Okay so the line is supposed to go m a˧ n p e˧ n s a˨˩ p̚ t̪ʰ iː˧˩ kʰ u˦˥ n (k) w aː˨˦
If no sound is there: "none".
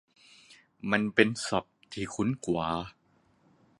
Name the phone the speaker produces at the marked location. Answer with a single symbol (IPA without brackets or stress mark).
k